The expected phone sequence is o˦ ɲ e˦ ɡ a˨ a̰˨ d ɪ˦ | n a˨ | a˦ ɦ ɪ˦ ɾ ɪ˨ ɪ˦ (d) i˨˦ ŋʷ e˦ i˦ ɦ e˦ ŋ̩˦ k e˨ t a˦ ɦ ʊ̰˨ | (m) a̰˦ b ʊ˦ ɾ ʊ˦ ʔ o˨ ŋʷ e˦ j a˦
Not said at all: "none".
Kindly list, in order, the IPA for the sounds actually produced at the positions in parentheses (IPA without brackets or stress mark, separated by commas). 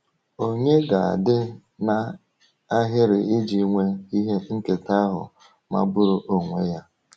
d͡ʒ, m